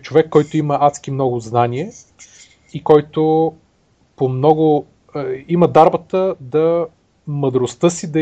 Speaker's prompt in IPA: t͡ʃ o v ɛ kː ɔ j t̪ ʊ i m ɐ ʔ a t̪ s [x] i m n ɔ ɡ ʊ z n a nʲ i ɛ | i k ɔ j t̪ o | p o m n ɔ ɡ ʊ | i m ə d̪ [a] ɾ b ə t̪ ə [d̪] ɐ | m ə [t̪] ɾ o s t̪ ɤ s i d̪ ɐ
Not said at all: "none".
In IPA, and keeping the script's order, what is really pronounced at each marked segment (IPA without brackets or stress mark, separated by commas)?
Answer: k, a, d̪, d̪